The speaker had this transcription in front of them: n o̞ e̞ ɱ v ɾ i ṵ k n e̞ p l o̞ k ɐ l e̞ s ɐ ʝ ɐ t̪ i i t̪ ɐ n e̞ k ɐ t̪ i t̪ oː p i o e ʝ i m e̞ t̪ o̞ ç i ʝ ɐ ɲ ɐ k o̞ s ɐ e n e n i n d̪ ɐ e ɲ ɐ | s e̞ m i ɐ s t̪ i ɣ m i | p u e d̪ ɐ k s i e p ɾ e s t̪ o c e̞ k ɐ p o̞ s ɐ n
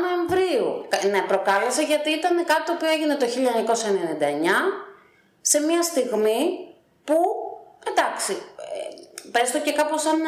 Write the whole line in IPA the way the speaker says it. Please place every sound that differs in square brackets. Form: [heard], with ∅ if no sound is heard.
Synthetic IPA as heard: n o̞ e̞ ɱ v ɾ i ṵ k n e̞ p [ɾ] o̞ k ɐ l e̞ s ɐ ʝ ɐ t̪ i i t̪ ɐ n e̞ k ɐ t̪ i t̪ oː p i o e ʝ i [n] e̞ t̪ o̞ ç i [ʎ] ɐ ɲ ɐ k o̞ s ɐ e n e n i n d̪ ɐ e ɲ ɐ | s e̞ m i ɐ s t̪ i ɣ m i | p u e d̪ ɐ k s i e p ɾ e s t̪ o c e̞ k ɐ p o̞ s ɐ n